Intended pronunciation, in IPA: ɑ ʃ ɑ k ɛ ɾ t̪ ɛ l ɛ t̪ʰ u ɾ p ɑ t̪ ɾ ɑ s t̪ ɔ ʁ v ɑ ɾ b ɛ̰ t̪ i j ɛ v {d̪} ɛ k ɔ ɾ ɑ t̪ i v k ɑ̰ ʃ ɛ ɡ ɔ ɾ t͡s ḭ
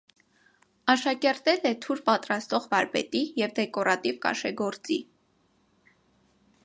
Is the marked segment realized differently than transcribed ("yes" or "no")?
no